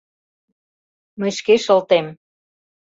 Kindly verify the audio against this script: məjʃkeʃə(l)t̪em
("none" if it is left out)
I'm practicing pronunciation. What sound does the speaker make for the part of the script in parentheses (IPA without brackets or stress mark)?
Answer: l